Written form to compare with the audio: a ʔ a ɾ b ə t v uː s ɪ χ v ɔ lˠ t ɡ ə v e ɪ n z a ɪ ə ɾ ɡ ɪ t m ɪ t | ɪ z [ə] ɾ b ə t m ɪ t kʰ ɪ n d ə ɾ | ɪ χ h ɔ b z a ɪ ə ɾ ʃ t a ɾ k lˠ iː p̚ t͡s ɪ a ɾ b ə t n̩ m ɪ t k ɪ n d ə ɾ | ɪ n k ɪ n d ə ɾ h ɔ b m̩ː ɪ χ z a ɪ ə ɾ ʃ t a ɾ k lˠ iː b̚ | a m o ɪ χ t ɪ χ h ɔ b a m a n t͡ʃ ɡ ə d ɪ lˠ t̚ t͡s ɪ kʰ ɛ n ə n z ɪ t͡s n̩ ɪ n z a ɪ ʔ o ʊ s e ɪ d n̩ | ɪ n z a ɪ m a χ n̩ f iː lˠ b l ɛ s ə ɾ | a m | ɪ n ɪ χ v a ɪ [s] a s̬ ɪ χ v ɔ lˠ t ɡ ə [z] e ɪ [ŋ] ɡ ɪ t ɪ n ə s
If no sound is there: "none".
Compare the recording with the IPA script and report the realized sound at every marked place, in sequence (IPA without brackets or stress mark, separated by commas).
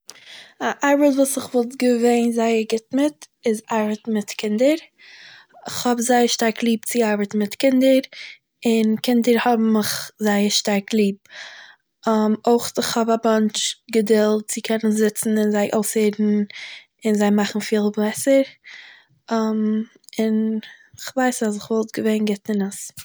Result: a, s, v, n